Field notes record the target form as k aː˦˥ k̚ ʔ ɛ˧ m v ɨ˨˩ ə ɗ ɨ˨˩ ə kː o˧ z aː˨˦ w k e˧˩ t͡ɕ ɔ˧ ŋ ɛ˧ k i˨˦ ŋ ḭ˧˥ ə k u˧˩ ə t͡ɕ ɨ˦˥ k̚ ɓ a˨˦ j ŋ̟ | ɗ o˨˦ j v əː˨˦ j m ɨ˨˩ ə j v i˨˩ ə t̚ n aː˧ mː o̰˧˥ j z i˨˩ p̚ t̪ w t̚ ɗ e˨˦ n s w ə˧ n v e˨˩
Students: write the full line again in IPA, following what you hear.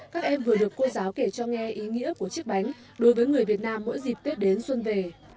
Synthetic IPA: k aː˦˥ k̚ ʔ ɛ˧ m v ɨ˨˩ ə ɗ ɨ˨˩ ə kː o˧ z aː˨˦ w k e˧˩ t͡ɕ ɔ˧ ŋ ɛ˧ ʔ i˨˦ ŋ ḭ˧˥ ə k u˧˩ ə t͡ɕ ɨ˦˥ k̚ ɓ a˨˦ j ŋ̟ | ɗ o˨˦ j v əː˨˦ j ŋ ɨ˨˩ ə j v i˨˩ ə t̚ n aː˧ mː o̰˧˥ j z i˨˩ p̚ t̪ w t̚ ɗ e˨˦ n s w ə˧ n v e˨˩

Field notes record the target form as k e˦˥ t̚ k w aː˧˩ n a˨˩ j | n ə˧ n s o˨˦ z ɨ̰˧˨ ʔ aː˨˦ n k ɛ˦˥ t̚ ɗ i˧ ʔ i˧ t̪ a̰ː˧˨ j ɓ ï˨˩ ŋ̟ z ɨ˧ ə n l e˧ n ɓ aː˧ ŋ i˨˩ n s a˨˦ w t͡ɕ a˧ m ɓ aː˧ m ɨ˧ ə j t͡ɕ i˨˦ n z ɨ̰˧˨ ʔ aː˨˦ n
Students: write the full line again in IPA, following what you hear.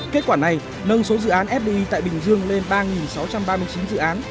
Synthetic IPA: k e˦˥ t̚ k w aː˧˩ n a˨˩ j | n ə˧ n s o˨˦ z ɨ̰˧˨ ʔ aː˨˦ n ʔ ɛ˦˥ p̚ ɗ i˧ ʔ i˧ t̪ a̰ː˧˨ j ɓ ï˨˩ ŋ̟ z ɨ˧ ə ŋ l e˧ n ɓ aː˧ ŋ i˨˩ n s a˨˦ w t͡ɕ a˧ m ɓ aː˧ m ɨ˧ ə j t͡ɕ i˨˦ n z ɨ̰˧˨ ʔ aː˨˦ n

